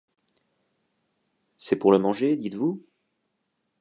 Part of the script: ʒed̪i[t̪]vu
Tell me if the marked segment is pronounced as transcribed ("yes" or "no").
yes